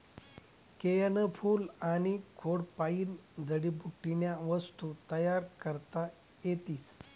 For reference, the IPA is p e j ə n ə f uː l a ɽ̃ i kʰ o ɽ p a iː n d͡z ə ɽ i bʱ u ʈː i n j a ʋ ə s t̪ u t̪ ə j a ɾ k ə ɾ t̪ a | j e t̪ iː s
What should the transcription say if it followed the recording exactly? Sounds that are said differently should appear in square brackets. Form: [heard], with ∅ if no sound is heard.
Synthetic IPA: [k] e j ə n ə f uː l a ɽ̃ i kʰ o ɽ p a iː n d͡z ə ɽ i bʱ u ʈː i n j a ʋ ə s t̪ u t̪ ə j a ɾ k ə ɾ t̪ a | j e t̪ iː s